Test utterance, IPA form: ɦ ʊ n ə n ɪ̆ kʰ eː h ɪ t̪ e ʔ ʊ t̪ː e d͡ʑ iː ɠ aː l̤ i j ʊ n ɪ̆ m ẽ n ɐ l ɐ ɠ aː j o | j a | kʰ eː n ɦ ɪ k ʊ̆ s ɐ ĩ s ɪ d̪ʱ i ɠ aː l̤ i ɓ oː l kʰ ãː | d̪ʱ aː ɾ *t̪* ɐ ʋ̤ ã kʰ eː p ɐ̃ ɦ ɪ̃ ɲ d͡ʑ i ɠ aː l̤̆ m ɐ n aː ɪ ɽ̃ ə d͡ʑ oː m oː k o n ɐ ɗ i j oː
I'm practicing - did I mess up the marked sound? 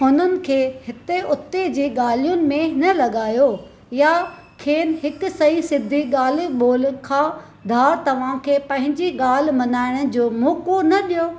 no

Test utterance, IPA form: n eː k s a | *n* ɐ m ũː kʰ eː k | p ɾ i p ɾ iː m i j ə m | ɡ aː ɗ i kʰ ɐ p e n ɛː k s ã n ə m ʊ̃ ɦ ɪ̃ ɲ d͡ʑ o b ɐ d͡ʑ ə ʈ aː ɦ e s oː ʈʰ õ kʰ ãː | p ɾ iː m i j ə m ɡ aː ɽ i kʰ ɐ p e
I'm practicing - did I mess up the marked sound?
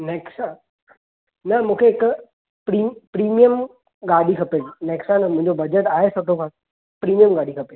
no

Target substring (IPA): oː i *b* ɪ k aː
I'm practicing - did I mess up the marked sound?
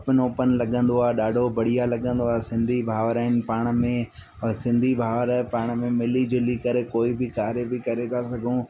no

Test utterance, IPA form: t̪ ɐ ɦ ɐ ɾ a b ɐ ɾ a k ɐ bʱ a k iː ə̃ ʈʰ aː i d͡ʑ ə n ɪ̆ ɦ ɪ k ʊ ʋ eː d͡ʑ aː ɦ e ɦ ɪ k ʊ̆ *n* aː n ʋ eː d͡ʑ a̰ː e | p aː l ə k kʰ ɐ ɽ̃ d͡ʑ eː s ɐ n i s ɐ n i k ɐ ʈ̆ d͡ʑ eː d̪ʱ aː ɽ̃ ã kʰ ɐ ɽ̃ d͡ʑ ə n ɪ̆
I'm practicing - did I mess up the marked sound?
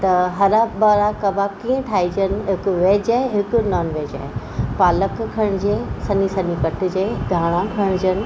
no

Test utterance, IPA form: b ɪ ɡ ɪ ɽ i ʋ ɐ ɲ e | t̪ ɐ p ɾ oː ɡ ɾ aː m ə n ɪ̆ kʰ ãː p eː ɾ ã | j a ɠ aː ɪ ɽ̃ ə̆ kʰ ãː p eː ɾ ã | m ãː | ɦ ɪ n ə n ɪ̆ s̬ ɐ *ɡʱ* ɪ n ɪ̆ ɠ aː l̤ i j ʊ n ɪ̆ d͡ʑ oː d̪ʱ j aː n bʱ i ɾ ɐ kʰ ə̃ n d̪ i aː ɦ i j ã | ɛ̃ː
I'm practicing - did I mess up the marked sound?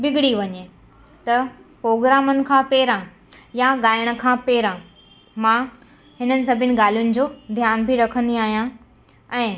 yes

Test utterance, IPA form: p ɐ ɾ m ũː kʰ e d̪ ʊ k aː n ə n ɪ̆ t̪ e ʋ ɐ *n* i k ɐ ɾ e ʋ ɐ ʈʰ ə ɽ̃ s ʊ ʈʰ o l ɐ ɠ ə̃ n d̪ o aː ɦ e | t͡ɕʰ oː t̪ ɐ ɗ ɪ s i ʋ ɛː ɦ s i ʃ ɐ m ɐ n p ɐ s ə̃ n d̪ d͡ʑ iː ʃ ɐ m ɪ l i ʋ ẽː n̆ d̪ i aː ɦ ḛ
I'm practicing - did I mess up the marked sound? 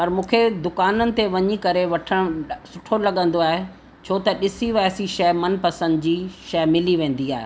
yes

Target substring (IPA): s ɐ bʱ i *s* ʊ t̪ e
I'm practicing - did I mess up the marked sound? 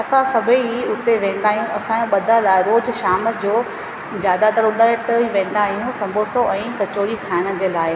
yes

